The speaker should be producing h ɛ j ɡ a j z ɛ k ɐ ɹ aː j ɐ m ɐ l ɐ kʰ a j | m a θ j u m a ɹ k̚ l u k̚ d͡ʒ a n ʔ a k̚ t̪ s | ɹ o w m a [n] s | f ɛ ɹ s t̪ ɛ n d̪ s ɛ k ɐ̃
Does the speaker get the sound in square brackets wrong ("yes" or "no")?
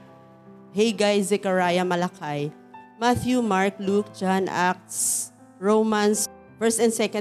no